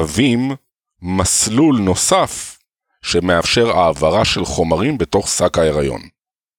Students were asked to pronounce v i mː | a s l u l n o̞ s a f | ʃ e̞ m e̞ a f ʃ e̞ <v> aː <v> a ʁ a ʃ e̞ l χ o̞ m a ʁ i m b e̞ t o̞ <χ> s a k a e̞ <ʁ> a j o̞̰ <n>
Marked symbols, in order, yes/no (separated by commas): no, yes, yes, yes, yes